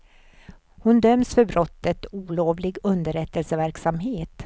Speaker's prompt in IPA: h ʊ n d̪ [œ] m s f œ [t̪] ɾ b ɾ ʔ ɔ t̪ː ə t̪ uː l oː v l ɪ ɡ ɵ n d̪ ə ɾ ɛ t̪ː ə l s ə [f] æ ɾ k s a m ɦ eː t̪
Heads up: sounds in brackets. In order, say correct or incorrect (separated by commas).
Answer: correct, incorrect, incorrect